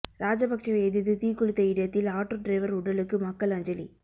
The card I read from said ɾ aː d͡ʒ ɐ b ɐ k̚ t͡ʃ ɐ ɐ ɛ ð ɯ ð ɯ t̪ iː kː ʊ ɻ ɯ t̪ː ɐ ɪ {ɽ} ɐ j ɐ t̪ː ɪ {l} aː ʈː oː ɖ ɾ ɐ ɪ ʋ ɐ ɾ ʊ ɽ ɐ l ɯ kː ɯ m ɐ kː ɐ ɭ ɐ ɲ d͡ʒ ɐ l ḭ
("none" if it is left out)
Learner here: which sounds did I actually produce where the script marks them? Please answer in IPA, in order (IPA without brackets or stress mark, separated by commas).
ɽ, l